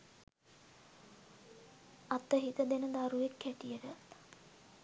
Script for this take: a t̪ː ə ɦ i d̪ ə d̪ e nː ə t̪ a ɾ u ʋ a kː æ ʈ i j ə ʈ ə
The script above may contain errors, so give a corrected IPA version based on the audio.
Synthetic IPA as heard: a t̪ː ə ɦ i t̪ ə d̪ e n ə d̪ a ɾ u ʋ e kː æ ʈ i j ə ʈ ə